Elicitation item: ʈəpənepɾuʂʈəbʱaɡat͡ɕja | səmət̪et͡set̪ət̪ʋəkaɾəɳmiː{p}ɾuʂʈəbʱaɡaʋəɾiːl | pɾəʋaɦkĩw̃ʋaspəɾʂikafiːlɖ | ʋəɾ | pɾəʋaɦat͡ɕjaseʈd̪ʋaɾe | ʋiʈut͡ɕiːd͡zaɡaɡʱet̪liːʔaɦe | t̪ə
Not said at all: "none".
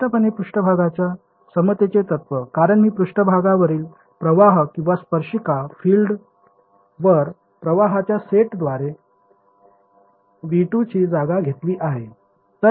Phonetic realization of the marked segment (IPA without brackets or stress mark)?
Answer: p